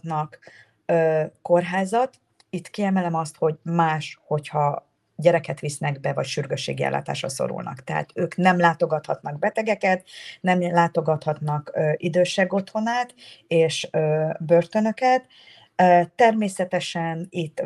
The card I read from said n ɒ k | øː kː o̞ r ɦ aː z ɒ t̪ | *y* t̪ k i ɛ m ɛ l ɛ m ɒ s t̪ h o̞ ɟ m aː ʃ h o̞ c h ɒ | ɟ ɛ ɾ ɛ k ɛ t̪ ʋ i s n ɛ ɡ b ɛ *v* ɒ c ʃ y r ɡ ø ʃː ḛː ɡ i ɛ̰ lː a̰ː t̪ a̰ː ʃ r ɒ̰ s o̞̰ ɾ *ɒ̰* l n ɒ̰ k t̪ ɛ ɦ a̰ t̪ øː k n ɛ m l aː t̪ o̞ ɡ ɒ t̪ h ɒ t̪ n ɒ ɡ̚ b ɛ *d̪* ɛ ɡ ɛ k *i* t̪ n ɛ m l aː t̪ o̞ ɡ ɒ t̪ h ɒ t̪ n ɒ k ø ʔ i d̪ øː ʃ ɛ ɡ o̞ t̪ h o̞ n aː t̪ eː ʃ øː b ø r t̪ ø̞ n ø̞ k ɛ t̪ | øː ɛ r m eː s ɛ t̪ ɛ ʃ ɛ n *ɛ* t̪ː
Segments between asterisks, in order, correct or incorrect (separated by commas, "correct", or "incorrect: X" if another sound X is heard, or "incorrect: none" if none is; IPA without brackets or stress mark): incorrect: i, correct, incorrect: ṵ, incorrect: t̪, incorrect: ɛ, incorrect: i